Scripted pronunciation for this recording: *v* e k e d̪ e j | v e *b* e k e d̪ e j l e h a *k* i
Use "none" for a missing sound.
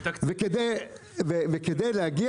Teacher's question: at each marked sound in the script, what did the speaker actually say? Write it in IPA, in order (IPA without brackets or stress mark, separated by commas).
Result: v, v, ɡ